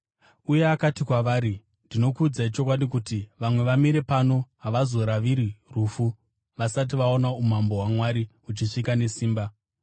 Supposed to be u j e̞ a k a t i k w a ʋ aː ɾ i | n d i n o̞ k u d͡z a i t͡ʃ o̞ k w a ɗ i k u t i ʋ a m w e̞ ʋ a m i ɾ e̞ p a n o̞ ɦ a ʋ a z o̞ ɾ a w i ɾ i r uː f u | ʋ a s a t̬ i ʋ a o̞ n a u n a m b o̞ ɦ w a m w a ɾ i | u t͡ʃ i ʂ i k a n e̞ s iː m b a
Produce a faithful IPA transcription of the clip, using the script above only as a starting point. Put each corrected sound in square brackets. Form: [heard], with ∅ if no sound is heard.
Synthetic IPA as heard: u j e̞ a k a t i k w a ʋ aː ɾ i | n d i n o̞ k u d͡z a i t͡ʃ o̞ k w a ɗ i k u t i ʋ a m w e̞ ʋ a m i ɾ e̞ p a n o̞ ɦ a ʋ a z o̞ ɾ a [ʋ] i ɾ i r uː f u | ʋ a s a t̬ i ʋ a o̞ n a u [m] a m b o̞ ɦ w a m w a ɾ i | u t͡ʃ i ʂ i k a n e̞ s iː m b a